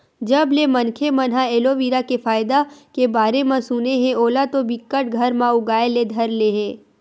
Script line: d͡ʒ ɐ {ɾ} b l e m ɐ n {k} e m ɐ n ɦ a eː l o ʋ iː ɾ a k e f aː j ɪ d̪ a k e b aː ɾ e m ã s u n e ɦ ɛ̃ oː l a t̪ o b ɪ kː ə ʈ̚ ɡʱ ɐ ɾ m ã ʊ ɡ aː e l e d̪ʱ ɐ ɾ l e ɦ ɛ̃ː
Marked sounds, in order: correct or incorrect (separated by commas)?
incorrect, incorrect